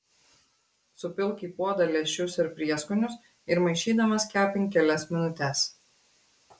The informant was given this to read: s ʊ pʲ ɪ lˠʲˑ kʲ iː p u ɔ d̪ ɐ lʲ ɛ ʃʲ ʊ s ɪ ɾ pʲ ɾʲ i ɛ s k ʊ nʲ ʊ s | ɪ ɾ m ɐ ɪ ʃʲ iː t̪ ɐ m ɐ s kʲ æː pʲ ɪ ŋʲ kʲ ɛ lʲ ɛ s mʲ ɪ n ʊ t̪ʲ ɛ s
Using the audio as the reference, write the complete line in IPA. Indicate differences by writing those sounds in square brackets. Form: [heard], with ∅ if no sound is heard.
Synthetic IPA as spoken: s ʊ pʲ ɪ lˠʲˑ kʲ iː p u ɔ d̪ ɐ lʲ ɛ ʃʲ ʊ s ɪ ɾ pʲ ɾʲ i ɛ s k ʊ nʲ ʊ s | ɪ ɾ m ɐ ɪ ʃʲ iː [d̪] ɐ m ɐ s kʲ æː pʲ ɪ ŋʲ kʲ ɛ lʲ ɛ s mʲ ɪ n ʊ t̪ʲ ɛ s